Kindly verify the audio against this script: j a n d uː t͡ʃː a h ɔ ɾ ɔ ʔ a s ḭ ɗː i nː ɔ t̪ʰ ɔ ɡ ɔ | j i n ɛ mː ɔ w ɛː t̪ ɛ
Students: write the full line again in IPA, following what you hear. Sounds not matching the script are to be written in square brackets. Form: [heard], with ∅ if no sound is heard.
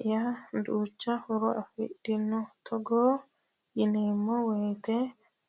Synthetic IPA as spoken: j a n d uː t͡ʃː a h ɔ ɾ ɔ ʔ a [f] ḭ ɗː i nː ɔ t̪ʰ ɔ ɡ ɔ | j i n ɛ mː ɔ w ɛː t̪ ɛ

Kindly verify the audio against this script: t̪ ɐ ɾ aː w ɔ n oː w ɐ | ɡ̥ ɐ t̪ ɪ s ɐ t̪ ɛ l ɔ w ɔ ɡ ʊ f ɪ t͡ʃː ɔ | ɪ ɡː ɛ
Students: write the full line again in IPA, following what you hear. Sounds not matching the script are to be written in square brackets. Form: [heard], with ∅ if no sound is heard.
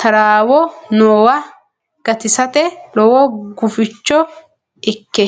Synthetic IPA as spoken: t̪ ɐ ɾ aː w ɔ n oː w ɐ | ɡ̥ ɐ t̪ ɪ s ɐ t̪ ɛ l ɔ w ɔ ɡ ʊ f ɪ t͡ʃː ɔ | ɪ [kː] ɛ

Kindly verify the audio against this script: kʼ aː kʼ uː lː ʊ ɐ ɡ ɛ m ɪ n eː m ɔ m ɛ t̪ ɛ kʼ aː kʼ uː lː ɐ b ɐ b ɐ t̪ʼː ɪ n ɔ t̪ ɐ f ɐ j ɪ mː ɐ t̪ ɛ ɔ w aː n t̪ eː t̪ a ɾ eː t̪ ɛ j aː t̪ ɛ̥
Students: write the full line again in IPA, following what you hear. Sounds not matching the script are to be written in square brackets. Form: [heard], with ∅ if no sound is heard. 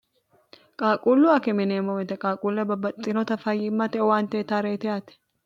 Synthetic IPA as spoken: kʼ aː kʼ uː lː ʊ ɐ [k] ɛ m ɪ n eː m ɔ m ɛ t̪ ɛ kʼ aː kʼ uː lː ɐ b ɐ b ɐ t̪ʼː ɪ n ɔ t̪ ɐ f ɐ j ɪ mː ɐ t̪ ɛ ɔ w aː n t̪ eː t̪ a ɾ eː t̪ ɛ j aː t̪ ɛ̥

